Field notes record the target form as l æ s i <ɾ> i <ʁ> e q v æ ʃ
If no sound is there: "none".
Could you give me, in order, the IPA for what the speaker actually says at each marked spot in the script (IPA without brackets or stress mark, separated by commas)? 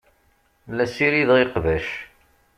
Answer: ɾ, ð